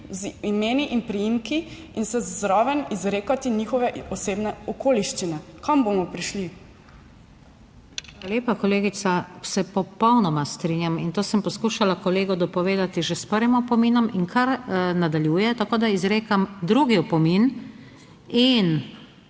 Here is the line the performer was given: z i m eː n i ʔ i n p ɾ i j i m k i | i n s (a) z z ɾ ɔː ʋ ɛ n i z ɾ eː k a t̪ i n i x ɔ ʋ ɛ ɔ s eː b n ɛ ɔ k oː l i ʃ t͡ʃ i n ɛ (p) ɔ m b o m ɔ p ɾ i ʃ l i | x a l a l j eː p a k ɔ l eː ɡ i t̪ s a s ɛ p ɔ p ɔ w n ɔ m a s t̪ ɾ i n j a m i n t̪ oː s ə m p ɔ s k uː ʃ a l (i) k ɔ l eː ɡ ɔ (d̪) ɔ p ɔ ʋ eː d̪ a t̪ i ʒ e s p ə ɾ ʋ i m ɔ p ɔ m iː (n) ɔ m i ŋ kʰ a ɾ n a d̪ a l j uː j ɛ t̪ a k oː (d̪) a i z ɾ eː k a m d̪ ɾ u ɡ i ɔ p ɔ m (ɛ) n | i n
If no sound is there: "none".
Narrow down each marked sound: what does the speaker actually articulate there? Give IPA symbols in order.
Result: ɛ, k, a, d̪, n, d̪, i

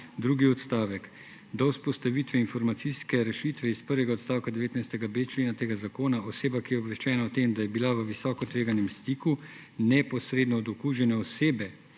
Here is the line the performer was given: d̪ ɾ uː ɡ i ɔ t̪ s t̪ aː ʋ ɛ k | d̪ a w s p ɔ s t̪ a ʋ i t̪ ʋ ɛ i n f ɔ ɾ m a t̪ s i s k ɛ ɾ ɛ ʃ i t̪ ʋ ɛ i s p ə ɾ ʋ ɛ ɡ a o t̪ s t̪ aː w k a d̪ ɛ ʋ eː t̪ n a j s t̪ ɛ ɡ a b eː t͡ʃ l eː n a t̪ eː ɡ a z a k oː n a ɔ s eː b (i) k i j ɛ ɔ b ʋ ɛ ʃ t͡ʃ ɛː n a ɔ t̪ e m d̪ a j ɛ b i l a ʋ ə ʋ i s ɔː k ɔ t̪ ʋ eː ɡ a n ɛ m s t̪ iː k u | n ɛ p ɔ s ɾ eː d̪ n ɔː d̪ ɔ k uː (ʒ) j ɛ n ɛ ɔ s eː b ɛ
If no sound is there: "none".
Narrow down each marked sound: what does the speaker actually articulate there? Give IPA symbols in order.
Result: a, ʒ

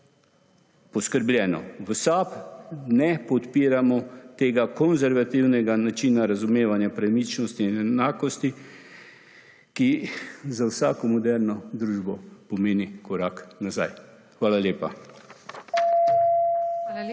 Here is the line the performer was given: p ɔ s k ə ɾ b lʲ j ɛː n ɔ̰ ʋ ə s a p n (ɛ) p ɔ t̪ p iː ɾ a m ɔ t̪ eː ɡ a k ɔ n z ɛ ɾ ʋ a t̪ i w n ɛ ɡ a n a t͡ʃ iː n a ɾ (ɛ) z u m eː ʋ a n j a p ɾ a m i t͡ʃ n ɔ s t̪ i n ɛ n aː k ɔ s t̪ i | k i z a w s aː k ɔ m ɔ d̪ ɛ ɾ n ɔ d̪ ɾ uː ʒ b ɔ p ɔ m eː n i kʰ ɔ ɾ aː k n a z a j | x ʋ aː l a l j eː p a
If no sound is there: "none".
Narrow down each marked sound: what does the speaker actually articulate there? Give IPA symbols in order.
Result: ɛ, a

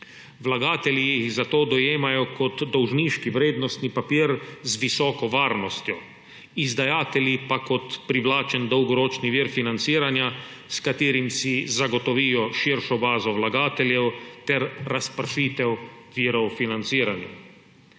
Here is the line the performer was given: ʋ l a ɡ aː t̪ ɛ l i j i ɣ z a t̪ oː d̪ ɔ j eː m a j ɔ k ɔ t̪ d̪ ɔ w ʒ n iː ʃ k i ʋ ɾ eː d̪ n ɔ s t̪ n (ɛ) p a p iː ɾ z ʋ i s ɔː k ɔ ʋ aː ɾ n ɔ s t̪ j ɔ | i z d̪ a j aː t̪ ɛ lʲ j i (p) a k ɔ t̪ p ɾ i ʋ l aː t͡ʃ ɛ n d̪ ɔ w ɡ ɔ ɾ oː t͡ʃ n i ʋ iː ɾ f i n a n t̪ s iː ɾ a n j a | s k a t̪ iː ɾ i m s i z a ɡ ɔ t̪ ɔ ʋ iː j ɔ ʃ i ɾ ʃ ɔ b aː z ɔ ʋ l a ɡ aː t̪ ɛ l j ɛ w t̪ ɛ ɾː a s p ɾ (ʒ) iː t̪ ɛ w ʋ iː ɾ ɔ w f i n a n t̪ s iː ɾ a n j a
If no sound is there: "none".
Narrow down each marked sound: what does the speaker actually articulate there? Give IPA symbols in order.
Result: i, p, ʃ

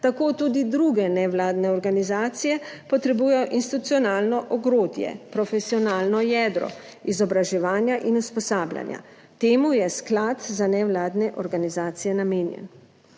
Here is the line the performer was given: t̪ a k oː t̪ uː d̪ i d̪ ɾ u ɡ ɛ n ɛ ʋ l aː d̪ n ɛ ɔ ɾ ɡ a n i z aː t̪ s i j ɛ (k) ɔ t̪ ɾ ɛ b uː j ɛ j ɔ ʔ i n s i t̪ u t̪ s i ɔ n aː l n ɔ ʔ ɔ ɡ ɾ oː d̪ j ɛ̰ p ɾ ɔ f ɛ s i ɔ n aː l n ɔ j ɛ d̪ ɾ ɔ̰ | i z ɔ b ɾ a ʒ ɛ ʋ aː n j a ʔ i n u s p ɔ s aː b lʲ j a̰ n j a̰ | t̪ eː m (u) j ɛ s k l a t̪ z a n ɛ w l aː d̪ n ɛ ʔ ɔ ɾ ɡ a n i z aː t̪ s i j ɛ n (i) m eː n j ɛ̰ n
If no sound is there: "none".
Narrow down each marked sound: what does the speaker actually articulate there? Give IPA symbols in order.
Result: p, u, a

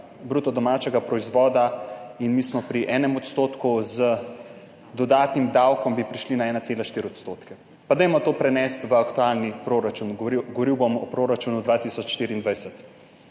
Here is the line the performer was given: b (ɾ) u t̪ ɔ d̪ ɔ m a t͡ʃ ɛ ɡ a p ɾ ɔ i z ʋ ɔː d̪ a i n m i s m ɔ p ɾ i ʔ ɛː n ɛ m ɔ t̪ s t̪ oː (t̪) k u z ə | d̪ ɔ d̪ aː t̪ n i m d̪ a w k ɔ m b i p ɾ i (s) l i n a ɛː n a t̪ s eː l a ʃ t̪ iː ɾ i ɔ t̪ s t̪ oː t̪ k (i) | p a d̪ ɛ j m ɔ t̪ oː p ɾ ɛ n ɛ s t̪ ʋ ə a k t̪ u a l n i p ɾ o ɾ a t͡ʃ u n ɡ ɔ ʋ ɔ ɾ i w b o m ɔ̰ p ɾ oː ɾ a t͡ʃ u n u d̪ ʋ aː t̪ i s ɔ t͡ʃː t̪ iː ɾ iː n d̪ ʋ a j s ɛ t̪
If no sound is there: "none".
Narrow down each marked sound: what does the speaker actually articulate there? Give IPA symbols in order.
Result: ɾ, t̪, ʃ, ɛ

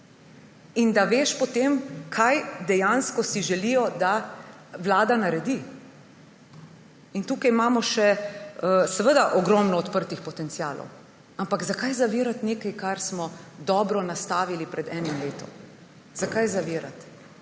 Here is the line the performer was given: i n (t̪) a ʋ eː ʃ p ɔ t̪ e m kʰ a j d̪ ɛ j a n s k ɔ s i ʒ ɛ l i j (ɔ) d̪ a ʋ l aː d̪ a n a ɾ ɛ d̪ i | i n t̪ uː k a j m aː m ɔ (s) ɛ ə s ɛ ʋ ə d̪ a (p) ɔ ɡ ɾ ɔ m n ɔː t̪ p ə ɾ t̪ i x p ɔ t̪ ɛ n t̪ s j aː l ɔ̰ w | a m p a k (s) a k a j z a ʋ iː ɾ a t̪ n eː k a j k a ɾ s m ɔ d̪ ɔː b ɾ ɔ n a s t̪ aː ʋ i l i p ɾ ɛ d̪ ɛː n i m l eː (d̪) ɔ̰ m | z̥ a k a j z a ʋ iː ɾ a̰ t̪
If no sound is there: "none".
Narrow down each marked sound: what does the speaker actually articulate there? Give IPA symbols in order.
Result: d̪, ɔ, ʃ, ʔ, z, t̪

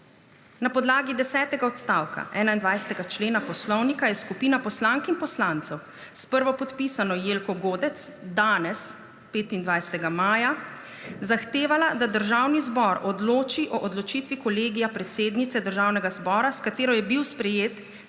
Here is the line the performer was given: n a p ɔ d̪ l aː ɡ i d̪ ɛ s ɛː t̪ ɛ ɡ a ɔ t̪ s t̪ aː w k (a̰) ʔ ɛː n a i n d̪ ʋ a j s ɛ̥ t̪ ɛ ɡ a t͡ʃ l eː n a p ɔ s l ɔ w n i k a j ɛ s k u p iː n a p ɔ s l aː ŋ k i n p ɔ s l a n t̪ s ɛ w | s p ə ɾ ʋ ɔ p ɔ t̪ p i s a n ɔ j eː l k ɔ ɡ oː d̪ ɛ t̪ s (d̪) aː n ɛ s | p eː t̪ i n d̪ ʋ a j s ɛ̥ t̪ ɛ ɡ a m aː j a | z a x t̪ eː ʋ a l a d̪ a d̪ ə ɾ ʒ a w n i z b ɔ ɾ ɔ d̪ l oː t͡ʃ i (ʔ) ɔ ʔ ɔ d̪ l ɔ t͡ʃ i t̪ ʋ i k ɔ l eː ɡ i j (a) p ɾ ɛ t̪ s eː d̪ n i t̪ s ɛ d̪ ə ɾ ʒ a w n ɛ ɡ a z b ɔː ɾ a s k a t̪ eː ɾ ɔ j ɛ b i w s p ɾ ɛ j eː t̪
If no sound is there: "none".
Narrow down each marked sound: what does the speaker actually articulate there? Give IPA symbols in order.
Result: a̰, d̪, ʔ, a

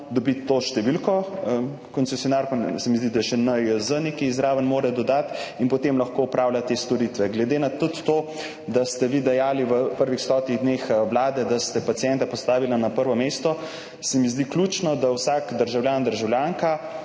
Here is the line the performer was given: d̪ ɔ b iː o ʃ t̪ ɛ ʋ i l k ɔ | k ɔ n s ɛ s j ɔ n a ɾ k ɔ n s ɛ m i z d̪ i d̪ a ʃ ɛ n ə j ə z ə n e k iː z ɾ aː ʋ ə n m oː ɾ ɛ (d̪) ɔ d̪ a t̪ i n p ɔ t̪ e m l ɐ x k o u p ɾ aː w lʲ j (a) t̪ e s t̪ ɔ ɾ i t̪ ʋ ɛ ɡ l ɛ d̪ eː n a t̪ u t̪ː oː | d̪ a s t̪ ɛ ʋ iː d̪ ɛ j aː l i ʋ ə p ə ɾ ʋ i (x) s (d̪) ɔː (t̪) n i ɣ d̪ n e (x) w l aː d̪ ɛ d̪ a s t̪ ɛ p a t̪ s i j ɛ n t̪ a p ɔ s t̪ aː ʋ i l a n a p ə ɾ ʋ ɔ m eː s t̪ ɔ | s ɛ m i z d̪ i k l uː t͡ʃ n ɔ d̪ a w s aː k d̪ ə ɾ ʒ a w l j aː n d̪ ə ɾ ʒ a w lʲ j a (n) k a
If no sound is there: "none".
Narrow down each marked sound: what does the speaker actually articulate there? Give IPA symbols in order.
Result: d̪, a, x, t̪, t̪, x, ŋ

